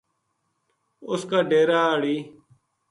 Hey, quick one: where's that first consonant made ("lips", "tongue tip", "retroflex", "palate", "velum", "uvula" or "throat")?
tongue tip